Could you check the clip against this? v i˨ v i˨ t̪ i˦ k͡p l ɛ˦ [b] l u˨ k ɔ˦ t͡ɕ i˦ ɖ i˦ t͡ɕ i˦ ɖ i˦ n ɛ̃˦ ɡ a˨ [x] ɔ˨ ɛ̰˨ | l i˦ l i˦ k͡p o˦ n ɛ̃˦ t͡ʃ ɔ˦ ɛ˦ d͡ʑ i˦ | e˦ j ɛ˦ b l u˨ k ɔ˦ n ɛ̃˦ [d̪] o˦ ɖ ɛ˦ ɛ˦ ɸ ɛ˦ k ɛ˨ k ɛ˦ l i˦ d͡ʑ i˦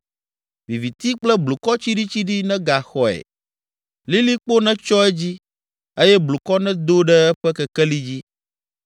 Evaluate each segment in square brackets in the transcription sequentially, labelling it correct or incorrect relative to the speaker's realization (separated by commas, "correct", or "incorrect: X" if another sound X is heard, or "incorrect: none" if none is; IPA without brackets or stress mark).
correct, correct, correct